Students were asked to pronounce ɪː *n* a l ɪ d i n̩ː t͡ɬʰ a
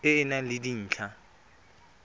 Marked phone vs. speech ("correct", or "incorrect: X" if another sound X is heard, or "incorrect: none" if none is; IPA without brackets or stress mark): correct